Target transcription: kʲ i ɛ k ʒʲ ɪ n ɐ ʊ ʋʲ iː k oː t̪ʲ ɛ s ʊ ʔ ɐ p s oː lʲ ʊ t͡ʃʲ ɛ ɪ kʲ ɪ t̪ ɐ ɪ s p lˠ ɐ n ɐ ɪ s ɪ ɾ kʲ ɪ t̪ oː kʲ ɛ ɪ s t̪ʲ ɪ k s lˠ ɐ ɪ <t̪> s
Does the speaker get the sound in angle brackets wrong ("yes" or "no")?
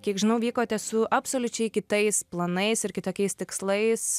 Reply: yes